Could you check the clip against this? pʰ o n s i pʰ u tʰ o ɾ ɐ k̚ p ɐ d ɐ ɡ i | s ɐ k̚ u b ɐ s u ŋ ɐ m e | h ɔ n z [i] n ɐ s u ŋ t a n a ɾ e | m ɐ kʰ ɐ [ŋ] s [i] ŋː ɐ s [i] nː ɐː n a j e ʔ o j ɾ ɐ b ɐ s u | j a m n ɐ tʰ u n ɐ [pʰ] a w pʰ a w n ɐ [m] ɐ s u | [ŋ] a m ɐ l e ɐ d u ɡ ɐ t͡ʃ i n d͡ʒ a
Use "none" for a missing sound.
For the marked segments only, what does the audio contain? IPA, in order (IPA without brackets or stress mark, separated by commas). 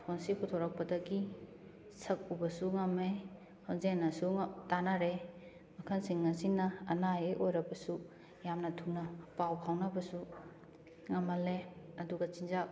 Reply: e, n, i, i, p, b, ŋ